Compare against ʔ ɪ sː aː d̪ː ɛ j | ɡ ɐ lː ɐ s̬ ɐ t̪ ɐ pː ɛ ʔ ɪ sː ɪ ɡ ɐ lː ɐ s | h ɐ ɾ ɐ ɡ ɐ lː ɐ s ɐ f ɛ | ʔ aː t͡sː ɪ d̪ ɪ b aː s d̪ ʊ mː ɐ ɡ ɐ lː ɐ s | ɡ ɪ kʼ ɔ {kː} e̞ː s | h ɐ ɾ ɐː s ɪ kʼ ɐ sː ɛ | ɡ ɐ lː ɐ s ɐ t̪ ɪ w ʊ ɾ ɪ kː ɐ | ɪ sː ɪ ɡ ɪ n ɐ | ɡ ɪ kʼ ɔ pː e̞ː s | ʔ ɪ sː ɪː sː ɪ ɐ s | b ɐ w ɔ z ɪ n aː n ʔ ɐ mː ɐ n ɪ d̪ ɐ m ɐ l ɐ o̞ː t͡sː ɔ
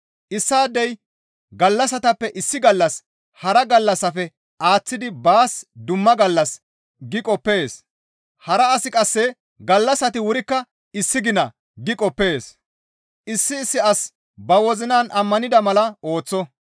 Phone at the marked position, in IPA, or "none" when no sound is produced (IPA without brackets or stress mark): pː